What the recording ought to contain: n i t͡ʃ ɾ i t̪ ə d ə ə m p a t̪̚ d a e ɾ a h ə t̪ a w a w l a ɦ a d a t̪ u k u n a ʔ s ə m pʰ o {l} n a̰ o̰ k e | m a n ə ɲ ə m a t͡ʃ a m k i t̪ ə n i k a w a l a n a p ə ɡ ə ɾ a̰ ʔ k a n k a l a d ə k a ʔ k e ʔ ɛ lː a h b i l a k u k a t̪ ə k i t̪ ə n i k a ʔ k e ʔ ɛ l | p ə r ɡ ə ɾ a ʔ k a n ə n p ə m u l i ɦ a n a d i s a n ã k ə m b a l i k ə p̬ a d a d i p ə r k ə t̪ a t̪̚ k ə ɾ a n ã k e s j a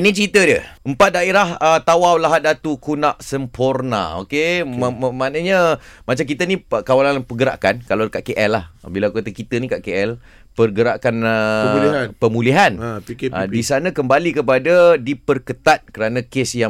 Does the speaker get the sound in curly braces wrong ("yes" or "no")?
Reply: yes